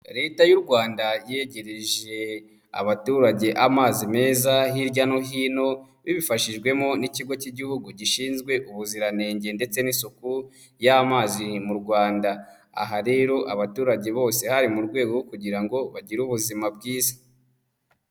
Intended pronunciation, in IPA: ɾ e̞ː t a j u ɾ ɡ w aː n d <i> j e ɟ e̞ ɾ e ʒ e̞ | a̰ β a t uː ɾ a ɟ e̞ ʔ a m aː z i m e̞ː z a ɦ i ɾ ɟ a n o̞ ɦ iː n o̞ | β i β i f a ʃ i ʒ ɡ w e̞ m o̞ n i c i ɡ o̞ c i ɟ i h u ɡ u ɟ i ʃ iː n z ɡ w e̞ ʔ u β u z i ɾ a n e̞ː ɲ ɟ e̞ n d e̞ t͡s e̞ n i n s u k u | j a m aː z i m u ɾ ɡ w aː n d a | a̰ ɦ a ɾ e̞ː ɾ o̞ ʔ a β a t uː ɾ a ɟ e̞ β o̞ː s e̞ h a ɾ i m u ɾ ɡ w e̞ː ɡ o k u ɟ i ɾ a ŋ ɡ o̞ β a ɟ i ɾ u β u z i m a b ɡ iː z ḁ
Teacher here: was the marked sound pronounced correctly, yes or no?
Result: no